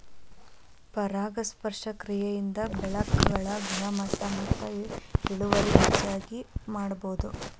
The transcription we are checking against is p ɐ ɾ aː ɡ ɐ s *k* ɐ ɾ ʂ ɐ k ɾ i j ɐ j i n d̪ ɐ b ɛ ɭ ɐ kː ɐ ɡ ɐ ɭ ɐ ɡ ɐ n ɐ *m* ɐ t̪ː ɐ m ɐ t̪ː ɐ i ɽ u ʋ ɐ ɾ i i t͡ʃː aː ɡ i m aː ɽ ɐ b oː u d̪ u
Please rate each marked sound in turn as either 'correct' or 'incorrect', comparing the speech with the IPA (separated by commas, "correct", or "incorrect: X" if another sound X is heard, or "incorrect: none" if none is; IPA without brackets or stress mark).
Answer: incorrect: p, correct